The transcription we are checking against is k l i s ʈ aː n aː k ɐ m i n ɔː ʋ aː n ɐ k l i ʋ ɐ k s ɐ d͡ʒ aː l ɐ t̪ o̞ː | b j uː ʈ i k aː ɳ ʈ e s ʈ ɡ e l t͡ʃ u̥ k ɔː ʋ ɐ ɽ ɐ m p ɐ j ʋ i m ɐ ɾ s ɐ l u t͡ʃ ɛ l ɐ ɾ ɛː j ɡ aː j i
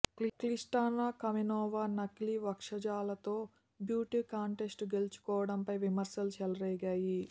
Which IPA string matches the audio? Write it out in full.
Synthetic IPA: k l i s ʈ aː n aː k ɐ m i n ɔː ʋ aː n ɐ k l i ʋ ɐ k ʂ ɐ d͡ʒ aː l ɐ t̪ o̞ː | b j uː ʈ i k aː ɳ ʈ e s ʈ ɡ e l t͡ʃ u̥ k ɔː ʋ ɐ ɽ ɐ m p ɐ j ʋ i m ɐ ɾ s ɐ l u t͡ʃ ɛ l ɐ ɾ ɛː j ɡ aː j i